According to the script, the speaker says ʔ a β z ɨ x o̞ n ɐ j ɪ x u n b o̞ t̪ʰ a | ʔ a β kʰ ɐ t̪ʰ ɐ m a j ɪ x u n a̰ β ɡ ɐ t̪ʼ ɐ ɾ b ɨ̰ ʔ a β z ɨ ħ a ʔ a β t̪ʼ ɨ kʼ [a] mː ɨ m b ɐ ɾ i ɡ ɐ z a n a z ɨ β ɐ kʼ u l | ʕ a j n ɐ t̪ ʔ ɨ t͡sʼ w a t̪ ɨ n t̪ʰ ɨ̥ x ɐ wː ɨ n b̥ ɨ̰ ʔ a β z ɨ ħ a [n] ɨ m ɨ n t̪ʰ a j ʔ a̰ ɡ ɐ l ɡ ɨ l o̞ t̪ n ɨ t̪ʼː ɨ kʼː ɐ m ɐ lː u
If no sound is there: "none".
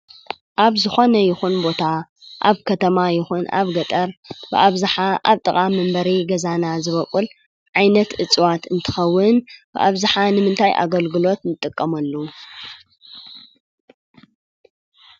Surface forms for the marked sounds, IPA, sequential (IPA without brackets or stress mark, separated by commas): a, n